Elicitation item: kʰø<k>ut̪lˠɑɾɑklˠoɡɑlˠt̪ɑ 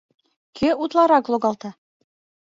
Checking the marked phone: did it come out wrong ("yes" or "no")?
yes